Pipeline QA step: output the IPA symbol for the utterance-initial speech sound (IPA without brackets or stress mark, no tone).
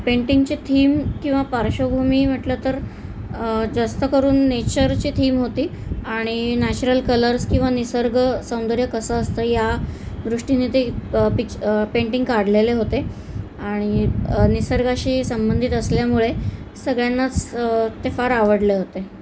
p